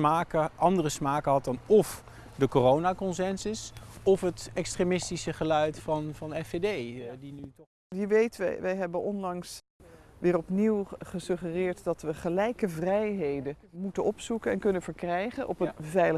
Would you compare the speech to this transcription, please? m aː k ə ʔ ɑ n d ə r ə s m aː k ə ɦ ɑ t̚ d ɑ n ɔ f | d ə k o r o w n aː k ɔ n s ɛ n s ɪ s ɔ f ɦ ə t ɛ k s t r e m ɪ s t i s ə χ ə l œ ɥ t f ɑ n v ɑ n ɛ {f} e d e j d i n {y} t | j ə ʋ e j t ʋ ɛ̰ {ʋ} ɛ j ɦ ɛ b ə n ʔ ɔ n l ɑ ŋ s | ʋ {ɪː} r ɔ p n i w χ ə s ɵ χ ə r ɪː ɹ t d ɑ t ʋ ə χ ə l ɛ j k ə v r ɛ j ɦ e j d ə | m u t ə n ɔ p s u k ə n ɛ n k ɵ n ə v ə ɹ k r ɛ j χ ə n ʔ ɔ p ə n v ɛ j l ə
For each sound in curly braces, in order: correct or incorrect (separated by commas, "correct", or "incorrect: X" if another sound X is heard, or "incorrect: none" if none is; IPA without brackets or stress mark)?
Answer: correct, correct, correct, correct